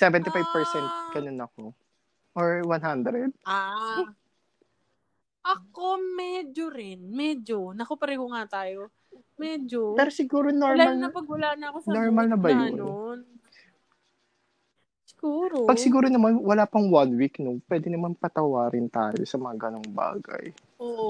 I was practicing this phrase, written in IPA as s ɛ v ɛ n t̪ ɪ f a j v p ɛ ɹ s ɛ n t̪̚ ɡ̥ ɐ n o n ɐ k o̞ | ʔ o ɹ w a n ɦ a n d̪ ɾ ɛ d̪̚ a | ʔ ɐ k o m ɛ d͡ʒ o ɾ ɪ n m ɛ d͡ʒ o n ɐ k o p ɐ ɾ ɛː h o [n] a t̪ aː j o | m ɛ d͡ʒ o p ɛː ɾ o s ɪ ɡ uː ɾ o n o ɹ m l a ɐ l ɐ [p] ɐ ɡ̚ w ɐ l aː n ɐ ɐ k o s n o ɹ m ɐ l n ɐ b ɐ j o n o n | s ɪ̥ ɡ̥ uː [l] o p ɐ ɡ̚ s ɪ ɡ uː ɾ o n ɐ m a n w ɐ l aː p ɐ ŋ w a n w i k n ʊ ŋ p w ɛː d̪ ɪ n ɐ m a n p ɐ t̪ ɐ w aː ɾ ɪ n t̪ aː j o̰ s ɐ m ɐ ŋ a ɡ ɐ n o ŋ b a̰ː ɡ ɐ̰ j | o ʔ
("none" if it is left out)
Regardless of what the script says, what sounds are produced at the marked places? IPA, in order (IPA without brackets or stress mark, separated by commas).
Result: ŋ, p, ɾ